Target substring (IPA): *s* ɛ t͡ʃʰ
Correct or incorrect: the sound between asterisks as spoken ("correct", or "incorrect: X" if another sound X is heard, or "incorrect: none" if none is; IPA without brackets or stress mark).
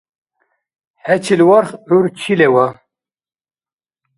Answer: incorrect: h